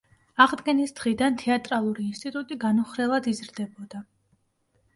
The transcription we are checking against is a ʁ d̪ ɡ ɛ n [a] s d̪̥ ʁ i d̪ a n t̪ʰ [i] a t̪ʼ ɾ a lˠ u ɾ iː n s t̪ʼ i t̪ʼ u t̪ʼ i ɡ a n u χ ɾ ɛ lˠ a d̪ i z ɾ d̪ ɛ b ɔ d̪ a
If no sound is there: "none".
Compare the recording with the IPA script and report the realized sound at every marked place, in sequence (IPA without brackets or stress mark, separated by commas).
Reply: i, ɛ